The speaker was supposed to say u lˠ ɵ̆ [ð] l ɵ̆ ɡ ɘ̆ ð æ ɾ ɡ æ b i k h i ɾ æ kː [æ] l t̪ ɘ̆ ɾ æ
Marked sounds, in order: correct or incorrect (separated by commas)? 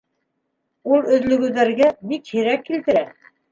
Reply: correct, incorrect